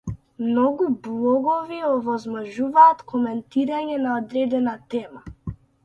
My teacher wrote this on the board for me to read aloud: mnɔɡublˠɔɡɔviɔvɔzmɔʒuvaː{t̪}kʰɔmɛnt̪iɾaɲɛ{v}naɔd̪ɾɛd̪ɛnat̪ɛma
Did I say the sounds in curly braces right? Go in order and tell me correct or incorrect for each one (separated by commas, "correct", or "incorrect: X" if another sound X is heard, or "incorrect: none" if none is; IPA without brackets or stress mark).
correct, incorrect: none